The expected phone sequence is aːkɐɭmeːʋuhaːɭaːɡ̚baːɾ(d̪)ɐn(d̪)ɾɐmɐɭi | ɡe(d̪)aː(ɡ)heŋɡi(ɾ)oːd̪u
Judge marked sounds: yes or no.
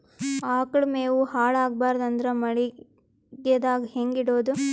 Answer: yes, yes, yes, yes, no

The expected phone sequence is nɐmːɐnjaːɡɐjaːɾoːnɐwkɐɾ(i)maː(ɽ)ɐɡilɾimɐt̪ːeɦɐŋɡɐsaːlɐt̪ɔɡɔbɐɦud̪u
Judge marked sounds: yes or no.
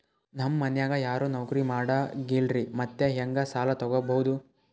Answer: yes, yes

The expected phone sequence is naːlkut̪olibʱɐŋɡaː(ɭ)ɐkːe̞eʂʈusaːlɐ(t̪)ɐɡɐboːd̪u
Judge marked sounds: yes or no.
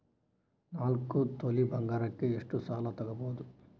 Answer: no, yes

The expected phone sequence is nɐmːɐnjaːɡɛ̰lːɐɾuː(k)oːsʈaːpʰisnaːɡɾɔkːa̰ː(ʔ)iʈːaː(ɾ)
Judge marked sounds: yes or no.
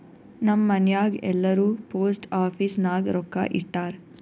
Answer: no, yes, yes

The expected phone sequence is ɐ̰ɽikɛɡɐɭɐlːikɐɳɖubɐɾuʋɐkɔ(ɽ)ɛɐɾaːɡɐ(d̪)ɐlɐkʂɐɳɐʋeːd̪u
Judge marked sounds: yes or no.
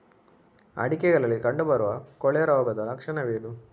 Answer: no, yes

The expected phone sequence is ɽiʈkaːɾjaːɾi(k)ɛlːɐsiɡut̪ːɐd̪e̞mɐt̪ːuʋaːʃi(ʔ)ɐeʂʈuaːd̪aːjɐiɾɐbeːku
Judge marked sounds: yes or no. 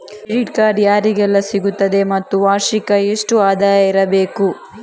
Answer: no, no

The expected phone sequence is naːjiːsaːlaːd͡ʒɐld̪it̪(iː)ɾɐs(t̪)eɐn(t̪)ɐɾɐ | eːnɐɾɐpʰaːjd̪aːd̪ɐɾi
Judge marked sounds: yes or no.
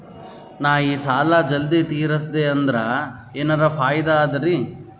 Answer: yes, no, no

